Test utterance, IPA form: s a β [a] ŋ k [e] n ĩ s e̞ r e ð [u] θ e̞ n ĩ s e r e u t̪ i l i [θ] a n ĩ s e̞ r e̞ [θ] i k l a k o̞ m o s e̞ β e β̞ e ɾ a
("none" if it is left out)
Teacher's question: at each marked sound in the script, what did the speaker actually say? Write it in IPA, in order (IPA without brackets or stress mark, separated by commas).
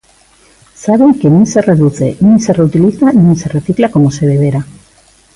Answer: e, e, u, θ, θ